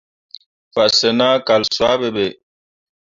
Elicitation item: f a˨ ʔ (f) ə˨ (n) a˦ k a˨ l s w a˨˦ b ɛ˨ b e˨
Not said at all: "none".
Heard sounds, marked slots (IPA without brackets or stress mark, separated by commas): s, n